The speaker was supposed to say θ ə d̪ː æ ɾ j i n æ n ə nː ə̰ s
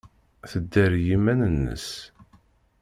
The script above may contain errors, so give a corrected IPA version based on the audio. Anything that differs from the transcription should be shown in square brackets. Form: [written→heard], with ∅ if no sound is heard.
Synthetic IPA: θ ə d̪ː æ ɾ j i [n→m] æ n ə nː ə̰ s